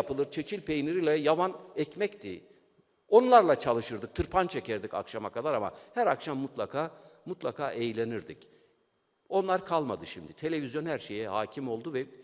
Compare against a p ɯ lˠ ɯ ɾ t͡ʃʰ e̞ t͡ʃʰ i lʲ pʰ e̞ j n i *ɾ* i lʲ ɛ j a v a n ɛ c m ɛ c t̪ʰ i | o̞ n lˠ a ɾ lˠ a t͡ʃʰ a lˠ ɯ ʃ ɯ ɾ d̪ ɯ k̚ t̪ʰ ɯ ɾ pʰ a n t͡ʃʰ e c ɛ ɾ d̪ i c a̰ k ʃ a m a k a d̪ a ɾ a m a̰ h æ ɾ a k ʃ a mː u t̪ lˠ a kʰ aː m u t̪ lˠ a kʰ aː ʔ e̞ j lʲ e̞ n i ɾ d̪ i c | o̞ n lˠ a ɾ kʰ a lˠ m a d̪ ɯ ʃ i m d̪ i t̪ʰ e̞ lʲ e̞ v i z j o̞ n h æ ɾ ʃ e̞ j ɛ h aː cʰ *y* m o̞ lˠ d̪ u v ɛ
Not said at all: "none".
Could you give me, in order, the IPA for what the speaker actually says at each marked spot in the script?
ɾ, i

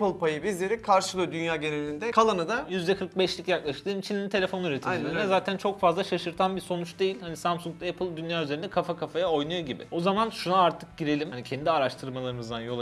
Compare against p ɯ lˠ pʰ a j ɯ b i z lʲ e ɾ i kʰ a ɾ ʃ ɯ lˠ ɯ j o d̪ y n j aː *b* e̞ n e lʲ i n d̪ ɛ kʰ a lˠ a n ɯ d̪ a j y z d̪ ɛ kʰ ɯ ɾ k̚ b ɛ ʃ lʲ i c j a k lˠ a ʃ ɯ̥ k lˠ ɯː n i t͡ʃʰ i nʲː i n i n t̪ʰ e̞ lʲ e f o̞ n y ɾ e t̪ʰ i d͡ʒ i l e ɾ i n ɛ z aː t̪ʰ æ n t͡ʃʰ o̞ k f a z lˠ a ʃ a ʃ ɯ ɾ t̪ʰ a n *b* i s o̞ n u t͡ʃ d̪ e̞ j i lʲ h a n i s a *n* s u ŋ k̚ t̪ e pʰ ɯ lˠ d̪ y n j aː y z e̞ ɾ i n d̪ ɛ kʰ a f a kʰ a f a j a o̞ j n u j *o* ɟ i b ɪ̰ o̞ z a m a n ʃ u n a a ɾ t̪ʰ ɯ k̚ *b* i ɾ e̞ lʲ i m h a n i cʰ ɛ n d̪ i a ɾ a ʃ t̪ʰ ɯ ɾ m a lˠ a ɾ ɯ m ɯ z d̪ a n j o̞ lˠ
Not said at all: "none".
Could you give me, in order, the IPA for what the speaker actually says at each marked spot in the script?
ɟ, b, m, o, ɟ

